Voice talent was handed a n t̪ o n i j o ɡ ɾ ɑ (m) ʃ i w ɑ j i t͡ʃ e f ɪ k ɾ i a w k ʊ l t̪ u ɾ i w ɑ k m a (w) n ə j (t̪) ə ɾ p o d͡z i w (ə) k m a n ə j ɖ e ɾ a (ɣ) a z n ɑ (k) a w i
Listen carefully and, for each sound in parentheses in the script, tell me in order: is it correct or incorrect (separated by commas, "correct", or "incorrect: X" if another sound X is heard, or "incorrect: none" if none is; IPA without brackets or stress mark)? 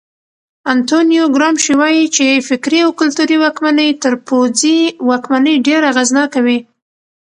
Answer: correct, incorrect: none, correct, incorrect: ɑ, correct, correct